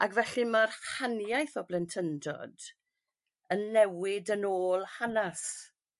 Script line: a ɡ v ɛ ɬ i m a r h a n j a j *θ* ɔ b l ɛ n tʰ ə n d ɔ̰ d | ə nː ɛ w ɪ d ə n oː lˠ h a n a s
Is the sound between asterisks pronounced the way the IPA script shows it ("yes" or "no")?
yes